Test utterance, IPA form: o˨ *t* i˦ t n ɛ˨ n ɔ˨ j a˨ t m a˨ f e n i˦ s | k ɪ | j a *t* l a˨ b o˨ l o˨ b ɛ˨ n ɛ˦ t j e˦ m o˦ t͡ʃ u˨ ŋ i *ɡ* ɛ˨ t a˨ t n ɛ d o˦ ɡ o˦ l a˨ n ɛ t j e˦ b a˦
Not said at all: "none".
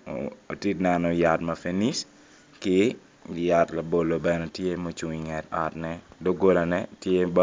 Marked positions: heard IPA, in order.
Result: t, t, ŋ

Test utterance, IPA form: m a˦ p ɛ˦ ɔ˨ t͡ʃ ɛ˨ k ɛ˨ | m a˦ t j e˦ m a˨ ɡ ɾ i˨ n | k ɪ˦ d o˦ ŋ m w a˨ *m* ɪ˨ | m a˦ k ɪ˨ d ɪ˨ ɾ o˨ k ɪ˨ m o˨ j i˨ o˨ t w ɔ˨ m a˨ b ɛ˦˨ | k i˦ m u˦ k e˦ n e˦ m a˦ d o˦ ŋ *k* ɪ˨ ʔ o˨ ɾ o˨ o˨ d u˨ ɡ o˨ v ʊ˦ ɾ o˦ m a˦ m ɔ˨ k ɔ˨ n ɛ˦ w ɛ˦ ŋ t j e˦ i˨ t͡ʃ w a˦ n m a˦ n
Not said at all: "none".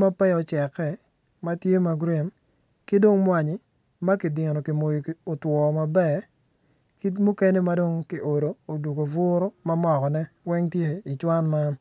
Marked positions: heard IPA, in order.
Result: ɲ, k

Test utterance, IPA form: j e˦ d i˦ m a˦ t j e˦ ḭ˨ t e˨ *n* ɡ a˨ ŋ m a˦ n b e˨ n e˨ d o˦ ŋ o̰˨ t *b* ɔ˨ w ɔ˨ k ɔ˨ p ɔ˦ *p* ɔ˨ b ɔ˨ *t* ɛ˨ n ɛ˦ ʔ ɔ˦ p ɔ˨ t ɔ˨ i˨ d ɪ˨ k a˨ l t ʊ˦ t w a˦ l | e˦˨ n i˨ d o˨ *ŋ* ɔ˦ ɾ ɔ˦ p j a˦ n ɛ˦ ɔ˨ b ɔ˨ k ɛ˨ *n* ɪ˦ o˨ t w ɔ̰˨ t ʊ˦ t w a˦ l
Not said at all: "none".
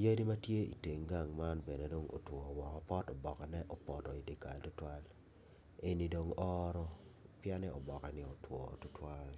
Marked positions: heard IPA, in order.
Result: ŋ, w, t, k, ŋ, n

